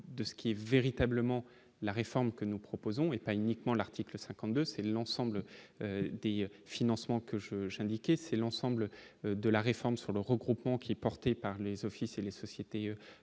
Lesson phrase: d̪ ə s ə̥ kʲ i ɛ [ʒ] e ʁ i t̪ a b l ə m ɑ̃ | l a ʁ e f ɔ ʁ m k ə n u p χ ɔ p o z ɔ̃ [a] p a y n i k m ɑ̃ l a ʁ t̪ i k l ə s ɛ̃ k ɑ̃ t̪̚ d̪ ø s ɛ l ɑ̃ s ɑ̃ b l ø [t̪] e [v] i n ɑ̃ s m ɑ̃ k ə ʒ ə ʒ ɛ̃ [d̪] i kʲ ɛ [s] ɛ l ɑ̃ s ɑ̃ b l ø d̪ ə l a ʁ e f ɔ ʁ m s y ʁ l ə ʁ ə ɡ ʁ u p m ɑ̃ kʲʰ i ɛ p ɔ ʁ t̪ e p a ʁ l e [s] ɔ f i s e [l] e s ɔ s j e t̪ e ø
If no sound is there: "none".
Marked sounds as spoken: v, e, d̪, f, d̪, s, z, l

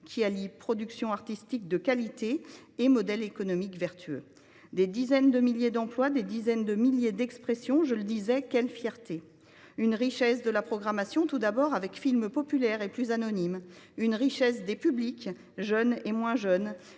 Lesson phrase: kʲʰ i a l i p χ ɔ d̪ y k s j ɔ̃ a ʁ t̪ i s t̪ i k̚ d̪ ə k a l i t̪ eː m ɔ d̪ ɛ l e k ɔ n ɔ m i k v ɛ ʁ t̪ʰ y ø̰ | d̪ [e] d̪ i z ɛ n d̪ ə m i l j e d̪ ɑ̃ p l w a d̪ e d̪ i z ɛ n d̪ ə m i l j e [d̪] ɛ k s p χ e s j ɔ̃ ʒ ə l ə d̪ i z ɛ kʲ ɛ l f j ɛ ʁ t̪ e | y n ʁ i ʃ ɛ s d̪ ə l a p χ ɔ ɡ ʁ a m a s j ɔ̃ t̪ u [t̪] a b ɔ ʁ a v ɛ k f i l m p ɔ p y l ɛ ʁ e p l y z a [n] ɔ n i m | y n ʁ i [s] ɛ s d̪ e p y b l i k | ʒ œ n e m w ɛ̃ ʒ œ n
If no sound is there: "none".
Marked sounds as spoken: e, d̪, d̪, n, ʃ

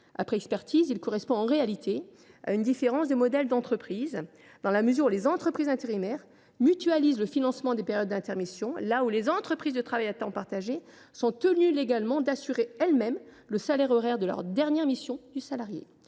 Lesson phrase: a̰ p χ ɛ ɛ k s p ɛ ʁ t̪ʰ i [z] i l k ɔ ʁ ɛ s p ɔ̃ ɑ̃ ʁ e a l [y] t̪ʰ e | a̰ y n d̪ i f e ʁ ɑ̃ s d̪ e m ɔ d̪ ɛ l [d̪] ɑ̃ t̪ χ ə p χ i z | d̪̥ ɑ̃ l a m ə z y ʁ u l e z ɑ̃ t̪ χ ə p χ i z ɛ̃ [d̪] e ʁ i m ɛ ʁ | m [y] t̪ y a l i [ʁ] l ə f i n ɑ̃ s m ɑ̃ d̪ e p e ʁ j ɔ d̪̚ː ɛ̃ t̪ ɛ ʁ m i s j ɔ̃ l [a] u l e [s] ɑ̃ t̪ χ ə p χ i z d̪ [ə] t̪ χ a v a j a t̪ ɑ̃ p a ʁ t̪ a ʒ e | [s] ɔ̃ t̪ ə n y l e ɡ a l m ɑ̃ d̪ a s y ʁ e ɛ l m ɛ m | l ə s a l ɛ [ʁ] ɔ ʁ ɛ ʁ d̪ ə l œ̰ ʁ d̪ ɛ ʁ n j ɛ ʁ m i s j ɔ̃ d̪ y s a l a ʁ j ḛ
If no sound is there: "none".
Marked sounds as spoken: z, i, d̪, t̪, y, z, a, z, ə, s, ʁ

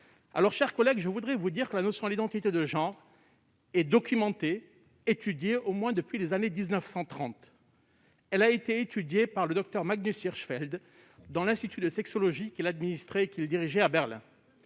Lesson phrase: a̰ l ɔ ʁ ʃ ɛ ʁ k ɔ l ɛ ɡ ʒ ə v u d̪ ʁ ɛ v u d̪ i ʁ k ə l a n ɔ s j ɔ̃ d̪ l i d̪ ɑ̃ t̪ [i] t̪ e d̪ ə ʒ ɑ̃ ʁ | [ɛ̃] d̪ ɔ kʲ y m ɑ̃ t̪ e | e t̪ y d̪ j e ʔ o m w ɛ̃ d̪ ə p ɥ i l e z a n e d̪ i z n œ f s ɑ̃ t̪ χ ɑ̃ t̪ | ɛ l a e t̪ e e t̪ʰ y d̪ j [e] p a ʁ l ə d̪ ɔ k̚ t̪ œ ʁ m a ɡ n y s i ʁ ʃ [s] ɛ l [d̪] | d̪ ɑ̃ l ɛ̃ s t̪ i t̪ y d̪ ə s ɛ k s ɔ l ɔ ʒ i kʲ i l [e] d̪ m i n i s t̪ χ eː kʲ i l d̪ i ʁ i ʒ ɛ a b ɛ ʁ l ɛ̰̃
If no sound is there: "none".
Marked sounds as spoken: i, ɛ, e, f, d̪, a

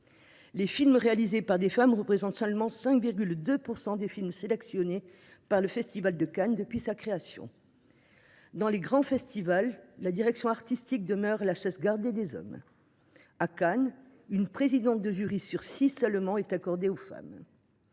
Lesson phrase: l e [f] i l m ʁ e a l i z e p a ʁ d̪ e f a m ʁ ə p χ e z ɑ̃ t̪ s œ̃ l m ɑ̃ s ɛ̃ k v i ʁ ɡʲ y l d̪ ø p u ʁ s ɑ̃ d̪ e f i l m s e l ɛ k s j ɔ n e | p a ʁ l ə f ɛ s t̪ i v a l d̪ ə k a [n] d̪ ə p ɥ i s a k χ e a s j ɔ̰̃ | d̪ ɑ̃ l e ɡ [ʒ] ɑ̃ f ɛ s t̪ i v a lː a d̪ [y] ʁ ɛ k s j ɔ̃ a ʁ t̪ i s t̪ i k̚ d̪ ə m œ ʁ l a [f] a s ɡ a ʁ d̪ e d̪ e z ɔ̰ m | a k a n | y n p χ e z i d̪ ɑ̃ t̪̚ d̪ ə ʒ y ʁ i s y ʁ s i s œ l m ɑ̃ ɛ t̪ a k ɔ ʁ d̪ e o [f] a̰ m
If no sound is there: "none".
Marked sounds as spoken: f, n, ʁ, i, ʃ, f

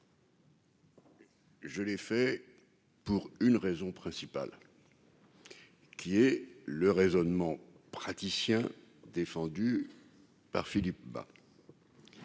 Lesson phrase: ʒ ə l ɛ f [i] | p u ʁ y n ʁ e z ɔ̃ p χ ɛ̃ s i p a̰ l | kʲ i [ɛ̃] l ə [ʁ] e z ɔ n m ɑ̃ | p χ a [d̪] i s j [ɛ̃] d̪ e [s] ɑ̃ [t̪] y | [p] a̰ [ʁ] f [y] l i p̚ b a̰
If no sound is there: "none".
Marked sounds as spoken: ɛ, ɛ, ʁ, t̪, ɛ̃, f, d̪, p, ʁ, i

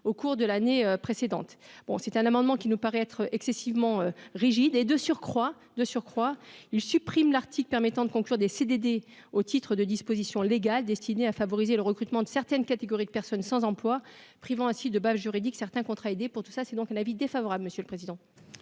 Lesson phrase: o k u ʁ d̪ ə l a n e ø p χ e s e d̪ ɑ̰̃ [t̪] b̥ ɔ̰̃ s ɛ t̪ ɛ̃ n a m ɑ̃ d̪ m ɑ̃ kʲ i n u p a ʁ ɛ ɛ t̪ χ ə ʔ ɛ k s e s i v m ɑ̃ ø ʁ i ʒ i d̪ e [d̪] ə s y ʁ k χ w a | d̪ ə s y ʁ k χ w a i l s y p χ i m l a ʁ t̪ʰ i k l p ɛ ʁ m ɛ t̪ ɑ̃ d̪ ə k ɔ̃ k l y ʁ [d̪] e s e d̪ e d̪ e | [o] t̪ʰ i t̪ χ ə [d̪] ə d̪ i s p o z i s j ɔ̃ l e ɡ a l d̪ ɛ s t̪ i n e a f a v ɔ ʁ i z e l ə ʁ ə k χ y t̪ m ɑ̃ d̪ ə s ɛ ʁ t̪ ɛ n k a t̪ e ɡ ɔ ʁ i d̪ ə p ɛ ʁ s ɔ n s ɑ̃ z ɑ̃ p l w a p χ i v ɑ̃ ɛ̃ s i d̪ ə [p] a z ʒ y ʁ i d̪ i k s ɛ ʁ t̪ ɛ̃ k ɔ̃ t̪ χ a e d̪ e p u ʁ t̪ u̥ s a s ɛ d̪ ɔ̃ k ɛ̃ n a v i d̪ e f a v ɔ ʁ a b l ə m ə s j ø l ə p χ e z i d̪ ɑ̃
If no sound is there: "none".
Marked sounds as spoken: t̪, d̪, d̪, o, d̪, b

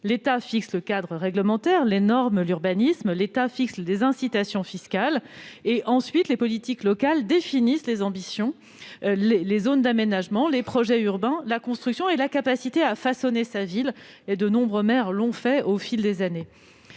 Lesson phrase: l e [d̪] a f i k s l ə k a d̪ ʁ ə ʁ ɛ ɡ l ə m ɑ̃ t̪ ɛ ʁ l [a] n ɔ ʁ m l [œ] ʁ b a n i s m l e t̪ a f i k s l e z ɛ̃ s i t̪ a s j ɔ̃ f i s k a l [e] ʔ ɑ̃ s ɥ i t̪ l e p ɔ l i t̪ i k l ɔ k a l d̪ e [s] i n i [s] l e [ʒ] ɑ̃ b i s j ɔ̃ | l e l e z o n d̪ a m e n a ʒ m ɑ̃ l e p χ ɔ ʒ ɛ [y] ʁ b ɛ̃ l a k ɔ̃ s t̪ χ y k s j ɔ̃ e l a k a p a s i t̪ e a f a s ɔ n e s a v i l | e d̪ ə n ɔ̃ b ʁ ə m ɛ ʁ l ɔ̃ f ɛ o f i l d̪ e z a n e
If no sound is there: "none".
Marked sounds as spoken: t̪, e, y, e, f, s, z, y

